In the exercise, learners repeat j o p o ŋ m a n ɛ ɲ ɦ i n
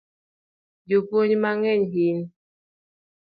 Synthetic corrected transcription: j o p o ɲ m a ŋ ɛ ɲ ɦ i n